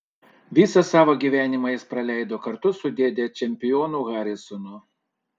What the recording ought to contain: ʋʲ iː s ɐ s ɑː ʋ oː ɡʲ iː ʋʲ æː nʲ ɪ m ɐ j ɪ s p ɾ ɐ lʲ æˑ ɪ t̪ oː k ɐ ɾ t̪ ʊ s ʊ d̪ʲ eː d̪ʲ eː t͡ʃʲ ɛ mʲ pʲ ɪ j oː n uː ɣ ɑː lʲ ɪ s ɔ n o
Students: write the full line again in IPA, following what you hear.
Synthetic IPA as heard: ʋʲ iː s ɐ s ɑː ʋ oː ɡʲ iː ʋʲ æː nʲ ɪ m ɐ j ɪ s p ɾ ɐ lʲ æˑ ɪ d̪ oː k ɐ ɾ t̪ ʊ s ʊ d̪ʲ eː d̪ʲ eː t͡ʃʲ ɛ mʲ pʲ ɪ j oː n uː ɣ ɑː ɾʲ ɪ s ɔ n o